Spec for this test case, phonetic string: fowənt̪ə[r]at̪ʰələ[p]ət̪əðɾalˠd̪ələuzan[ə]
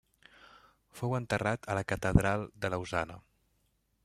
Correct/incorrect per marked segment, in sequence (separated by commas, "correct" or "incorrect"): correct, incorrect, correct